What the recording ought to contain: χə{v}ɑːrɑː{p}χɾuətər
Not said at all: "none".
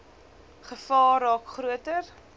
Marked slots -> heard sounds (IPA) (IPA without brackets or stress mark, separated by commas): f, k